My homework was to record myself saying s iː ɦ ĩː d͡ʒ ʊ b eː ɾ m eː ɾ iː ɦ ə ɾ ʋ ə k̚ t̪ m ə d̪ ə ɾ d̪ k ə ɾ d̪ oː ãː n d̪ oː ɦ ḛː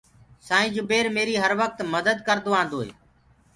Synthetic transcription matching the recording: s aː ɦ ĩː d͡ʒ ʊ b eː ɾ m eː ɾ iː ɦ ə ɾ ʋ ə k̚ t̪ m ə d̪ ə d̪ k ə ɾ d̪ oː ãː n d̪ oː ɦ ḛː